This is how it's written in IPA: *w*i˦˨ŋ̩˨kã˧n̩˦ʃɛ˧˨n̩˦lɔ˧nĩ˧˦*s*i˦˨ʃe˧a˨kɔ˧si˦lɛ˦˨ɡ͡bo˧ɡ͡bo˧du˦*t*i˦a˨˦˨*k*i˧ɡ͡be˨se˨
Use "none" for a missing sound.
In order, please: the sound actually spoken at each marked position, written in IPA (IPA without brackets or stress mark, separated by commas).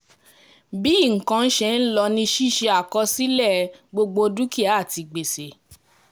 b, ʃ, k, t